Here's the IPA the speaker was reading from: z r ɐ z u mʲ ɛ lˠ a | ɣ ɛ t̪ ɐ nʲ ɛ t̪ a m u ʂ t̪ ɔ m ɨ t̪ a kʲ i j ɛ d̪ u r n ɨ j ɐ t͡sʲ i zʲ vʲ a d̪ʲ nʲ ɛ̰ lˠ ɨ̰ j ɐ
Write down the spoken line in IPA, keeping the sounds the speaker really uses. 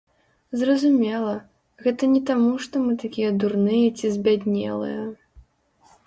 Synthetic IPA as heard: z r ɐ z u mʲ ɛ lˠ ɐ | ɣ ɛ t̪ ɐ nʲ ɛ t̪ a m u ʂ t̪ ɔ m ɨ t̪ a kʲ i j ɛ d̪ u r n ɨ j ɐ t͡sʲ i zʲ bʲ a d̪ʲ nʲ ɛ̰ lˠ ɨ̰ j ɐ